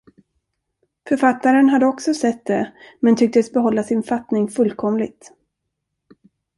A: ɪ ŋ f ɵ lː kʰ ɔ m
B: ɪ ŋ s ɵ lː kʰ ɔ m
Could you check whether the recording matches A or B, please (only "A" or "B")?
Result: A